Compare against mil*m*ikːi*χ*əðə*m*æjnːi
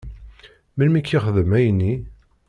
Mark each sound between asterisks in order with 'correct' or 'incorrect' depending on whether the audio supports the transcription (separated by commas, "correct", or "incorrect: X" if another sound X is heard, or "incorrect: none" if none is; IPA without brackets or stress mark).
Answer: correct, correct, correct